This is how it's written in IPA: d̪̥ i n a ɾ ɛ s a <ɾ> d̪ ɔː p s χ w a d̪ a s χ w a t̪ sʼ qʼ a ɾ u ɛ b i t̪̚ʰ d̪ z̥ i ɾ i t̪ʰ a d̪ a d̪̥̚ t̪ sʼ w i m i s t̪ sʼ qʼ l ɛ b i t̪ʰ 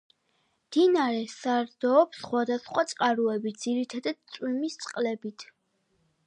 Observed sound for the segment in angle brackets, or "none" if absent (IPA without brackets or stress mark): ɾ